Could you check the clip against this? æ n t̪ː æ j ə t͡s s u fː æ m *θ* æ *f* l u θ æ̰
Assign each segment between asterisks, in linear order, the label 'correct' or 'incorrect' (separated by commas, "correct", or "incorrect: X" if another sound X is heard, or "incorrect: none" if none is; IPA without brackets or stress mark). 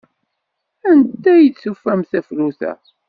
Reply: correct, correct